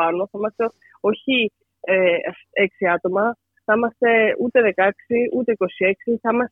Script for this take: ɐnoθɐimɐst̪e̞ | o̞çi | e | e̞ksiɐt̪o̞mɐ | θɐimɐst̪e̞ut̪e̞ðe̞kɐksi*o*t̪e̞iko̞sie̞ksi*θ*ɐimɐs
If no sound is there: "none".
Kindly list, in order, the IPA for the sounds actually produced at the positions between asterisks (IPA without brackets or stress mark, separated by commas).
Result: u, θ